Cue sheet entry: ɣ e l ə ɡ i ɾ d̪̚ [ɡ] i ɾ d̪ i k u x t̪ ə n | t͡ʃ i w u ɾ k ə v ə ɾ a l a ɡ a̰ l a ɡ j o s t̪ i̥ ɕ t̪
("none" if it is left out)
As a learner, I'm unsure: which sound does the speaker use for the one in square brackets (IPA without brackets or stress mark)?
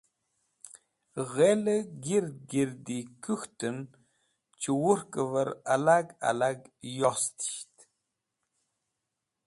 ɡ